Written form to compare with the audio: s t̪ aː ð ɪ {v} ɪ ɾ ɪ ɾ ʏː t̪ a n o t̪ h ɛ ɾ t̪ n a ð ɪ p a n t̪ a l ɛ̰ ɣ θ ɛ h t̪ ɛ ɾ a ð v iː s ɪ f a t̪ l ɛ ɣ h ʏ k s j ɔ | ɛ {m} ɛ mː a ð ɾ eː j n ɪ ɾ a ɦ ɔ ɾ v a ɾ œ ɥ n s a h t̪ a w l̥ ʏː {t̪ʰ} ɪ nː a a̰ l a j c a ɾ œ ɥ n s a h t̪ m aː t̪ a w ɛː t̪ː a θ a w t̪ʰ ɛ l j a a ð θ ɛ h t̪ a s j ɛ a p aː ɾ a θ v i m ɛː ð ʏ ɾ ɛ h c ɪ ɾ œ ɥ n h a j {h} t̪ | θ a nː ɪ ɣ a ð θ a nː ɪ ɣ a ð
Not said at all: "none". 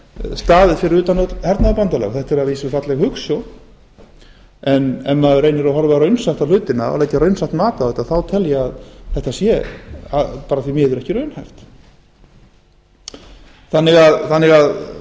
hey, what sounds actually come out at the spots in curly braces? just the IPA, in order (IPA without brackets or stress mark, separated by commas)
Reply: f, n, t̪, f